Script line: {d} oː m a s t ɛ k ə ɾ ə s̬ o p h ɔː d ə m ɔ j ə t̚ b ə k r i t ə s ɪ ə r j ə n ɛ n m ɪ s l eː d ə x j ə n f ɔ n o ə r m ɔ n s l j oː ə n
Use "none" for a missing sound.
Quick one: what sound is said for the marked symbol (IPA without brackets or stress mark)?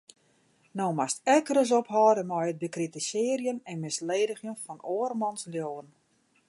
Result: n